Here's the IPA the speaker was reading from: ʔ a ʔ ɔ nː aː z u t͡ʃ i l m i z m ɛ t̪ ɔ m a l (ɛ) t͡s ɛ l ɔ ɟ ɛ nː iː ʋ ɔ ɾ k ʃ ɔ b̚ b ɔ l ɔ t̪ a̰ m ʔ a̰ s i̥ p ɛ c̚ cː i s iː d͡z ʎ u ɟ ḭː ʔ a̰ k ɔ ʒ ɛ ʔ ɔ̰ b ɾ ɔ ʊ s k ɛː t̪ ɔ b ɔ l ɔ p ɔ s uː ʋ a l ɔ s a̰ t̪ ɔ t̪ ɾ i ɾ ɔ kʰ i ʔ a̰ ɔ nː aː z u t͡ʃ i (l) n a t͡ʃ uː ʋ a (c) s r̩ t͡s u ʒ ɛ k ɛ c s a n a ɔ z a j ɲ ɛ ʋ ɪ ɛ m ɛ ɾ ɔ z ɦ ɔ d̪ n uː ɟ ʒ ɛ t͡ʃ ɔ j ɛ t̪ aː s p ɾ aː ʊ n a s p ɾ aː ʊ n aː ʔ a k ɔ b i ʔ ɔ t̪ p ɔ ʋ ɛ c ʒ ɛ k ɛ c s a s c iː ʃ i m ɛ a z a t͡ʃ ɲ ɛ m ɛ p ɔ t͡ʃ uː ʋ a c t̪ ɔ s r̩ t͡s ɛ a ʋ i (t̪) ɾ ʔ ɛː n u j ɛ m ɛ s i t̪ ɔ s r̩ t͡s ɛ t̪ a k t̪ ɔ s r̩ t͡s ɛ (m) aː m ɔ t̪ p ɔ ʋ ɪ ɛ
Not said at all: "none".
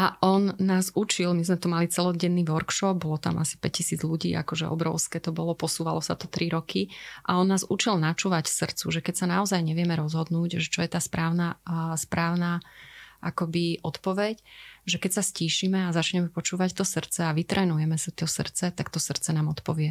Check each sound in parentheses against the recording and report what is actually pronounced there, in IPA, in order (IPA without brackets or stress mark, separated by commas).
i, l, c, t̪, n